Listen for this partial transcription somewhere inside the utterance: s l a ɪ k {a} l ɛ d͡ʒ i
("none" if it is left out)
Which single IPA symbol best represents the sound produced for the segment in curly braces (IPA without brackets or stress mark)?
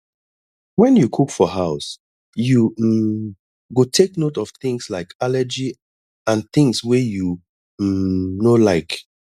a